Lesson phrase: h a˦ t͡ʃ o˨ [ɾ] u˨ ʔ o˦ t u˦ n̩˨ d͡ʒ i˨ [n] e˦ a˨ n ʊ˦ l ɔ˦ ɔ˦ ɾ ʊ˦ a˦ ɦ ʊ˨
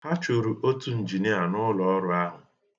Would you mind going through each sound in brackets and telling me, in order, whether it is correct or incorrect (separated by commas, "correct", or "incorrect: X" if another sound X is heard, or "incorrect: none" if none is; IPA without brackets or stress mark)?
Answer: correct, correct